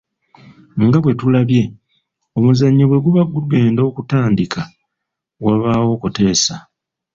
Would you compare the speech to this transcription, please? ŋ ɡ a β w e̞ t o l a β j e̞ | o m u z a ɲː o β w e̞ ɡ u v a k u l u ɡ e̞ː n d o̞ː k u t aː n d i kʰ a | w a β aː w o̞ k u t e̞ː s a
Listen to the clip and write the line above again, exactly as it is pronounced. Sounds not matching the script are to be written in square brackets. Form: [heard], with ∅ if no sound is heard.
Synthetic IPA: ŋ ɡ a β w e̞ t [u] l a β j e̞ | o m u z a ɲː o β w e̞ ɡ u [β] a [ɡ] u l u ɡ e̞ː n d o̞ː k u t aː n d i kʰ a | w a β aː w o̞ k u t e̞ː s a